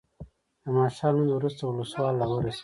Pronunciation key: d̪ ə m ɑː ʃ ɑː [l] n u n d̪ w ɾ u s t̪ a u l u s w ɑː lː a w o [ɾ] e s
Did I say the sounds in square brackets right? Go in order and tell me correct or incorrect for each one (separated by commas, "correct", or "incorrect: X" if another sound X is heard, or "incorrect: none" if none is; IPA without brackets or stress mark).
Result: correct, correct